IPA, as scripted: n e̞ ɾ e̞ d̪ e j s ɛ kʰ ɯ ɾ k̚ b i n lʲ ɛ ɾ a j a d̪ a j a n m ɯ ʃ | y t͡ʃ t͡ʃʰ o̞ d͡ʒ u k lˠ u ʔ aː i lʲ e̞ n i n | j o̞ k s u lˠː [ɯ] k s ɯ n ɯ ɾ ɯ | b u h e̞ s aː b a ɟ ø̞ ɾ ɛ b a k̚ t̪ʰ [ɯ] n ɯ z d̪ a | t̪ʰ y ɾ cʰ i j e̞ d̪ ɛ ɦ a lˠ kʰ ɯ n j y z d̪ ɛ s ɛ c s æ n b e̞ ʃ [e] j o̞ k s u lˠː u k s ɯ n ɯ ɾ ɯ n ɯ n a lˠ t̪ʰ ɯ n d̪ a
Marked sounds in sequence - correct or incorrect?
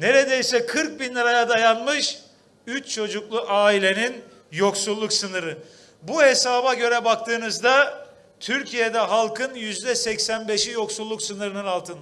incorrect, incorrect, incorrect

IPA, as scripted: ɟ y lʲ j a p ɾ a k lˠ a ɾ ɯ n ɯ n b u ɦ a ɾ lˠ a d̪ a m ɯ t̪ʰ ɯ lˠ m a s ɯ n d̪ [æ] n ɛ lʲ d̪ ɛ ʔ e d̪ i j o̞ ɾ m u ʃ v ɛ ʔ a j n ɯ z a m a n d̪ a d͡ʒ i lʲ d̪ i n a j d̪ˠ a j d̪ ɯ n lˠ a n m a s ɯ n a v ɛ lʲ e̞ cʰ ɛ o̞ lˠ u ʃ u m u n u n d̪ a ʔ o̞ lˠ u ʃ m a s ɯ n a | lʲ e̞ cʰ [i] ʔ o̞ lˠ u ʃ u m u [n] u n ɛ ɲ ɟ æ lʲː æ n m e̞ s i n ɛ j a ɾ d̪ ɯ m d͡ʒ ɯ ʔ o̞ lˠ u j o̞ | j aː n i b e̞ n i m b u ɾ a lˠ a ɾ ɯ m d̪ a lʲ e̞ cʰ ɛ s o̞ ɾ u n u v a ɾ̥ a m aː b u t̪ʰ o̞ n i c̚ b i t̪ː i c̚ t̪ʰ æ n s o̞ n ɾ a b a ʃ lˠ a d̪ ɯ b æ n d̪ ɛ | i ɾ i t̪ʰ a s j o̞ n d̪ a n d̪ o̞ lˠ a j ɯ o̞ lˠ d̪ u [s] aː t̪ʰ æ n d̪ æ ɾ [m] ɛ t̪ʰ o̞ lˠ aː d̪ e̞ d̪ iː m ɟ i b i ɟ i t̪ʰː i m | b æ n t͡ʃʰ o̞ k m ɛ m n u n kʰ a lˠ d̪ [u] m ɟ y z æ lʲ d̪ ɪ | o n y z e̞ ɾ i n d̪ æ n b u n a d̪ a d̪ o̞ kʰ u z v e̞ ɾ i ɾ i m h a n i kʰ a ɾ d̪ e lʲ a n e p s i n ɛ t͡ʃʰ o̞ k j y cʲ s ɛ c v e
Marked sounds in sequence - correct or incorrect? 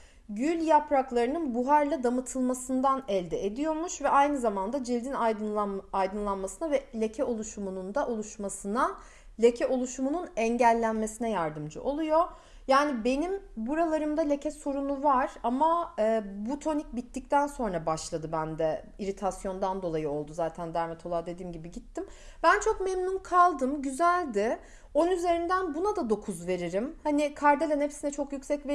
incorrect, incorrect, correct, incorrect, correct, incorrect

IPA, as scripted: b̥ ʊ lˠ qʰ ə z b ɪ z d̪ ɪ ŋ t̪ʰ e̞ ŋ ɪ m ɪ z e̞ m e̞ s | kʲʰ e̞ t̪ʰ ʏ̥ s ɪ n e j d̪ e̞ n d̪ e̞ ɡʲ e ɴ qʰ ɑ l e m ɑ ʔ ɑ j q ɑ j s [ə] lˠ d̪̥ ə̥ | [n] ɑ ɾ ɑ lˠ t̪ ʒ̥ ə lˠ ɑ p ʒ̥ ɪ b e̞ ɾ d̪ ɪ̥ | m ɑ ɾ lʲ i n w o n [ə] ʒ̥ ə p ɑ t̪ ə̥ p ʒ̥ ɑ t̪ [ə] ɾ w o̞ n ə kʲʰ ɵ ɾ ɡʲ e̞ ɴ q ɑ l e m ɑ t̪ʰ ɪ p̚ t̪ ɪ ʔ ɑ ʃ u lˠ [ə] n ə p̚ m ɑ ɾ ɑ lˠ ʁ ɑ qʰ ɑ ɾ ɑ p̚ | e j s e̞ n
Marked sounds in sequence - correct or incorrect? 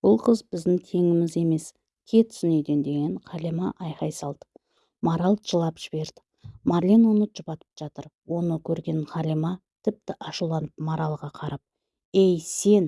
incorrect, incorrect, correct, correct, incorrect

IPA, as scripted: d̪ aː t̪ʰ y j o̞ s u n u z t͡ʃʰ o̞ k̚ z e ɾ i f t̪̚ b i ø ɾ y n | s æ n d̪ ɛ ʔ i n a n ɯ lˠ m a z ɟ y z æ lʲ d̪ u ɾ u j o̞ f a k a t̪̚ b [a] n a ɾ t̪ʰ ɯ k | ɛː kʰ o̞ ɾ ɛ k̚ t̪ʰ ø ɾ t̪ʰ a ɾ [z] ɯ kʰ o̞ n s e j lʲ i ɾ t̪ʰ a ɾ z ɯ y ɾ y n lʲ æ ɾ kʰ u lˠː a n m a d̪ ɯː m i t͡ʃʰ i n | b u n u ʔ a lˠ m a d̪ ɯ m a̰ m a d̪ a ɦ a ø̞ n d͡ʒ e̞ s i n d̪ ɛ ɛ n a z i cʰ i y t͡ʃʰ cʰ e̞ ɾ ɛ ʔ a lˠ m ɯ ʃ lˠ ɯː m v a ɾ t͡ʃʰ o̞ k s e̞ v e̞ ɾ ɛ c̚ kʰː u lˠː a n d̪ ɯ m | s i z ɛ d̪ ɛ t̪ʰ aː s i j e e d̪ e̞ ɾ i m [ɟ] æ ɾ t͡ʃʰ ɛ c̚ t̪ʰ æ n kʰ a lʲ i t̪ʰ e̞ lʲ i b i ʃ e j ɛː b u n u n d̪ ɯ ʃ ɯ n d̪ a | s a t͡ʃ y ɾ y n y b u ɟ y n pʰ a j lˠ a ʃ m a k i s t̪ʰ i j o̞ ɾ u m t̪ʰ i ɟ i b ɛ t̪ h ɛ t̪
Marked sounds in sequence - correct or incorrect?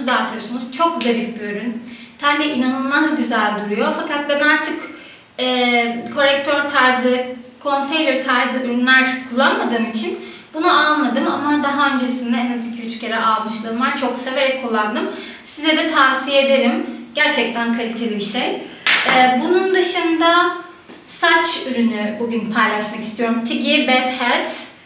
incorrect, correct, correct

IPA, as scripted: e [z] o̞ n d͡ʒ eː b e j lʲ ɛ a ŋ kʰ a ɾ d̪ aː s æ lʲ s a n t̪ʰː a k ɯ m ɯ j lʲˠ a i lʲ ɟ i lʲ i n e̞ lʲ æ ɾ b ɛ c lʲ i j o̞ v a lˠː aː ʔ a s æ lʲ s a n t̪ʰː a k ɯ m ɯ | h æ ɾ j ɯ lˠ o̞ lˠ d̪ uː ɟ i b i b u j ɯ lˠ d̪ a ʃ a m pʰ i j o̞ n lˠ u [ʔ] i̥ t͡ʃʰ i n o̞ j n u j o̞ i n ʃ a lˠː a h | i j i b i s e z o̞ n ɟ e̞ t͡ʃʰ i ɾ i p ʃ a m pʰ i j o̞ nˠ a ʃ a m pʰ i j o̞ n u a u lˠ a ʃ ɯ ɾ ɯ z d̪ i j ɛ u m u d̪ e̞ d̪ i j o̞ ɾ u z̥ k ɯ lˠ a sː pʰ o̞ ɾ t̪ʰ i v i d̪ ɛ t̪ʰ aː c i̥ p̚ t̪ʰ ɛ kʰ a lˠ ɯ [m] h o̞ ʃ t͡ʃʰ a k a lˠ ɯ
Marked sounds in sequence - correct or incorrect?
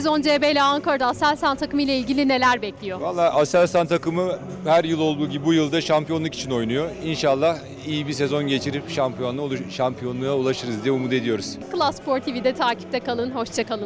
correct, incorrect, incorrect

